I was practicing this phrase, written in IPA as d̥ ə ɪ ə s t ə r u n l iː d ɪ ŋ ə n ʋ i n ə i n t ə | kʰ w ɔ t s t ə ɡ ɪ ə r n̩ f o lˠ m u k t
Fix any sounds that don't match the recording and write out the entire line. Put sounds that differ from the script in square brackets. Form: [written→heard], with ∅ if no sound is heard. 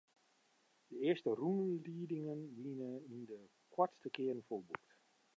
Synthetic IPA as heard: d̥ ə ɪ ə s t ə r u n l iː d ɪ ŋ ə n ʋ i n ə i n [t→d] ə | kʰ w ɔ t s t ə [ɡ→k] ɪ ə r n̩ f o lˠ [m→b] u k t